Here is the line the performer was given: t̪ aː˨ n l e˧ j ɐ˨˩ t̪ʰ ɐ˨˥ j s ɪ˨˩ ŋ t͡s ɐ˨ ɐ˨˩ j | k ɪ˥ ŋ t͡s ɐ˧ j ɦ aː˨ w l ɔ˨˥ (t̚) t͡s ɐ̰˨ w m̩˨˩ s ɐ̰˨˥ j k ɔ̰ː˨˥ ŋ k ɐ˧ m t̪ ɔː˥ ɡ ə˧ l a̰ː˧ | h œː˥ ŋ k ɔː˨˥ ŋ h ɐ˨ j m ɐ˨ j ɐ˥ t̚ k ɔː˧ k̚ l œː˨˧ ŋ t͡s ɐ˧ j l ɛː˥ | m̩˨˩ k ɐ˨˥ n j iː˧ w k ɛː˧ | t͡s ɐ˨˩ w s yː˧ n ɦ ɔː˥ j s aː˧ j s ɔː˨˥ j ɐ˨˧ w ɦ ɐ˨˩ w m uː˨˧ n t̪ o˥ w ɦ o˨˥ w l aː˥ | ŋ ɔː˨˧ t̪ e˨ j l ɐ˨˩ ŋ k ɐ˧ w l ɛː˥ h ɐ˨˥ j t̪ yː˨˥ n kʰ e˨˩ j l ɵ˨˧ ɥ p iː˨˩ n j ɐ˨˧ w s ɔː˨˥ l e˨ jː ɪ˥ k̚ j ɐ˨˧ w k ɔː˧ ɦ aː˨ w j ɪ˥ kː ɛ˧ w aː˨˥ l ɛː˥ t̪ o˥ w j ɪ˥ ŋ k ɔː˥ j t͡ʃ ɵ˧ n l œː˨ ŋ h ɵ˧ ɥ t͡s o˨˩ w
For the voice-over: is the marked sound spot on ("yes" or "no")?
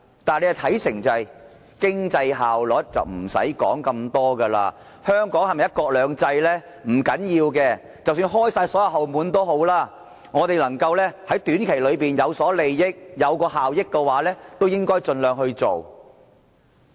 yes